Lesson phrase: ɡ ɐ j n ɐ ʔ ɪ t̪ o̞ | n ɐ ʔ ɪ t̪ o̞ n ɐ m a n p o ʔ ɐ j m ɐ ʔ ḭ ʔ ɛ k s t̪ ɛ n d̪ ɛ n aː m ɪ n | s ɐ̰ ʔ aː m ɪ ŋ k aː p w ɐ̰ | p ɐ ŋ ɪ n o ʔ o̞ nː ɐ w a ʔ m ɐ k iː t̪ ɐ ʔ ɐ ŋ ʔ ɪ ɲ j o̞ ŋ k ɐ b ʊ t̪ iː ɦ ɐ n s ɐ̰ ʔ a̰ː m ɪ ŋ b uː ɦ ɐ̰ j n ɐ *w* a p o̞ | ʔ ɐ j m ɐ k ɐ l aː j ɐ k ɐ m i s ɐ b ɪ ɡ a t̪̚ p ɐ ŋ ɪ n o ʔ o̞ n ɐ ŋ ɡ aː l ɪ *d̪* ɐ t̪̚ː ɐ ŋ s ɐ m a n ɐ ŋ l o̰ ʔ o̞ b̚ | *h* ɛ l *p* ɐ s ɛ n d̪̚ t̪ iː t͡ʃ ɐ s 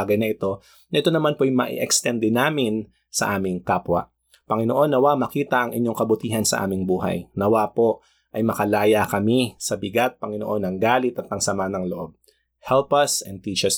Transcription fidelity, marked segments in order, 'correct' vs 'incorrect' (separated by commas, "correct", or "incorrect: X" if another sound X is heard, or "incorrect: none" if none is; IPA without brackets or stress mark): correct, incorrect: t̪, correct, correct